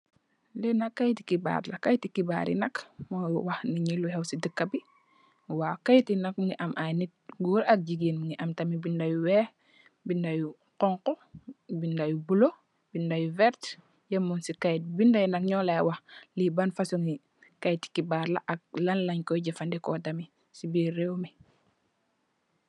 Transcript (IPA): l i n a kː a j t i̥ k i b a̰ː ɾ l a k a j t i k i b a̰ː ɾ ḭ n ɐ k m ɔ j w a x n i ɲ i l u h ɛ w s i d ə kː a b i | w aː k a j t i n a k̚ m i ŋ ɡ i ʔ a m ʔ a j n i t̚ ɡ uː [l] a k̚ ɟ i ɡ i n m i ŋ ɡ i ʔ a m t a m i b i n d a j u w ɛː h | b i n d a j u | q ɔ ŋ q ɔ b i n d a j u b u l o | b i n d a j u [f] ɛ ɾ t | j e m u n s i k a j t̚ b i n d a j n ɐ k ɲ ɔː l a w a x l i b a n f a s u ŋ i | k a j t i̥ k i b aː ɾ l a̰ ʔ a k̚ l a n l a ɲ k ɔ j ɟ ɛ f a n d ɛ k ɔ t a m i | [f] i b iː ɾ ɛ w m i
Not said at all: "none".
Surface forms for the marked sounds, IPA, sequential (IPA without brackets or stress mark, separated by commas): ɾ, v, s